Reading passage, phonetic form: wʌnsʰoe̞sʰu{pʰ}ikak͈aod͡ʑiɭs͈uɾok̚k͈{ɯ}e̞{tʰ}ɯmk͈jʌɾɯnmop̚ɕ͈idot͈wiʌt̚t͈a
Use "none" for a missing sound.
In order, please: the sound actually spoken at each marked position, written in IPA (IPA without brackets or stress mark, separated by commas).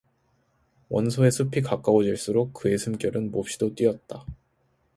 pʰ, ɯ, sʰ